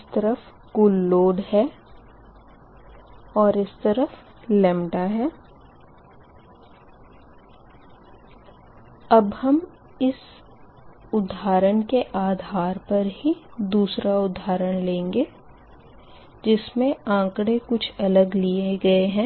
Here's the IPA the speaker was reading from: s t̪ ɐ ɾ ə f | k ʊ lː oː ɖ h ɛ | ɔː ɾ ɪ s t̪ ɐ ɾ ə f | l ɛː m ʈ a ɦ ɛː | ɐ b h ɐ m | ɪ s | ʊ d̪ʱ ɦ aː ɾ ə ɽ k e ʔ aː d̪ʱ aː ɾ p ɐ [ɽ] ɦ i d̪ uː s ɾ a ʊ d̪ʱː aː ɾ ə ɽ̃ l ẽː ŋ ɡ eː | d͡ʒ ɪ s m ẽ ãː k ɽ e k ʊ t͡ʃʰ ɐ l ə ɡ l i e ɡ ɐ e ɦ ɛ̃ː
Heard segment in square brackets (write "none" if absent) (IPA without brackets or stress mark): ɾ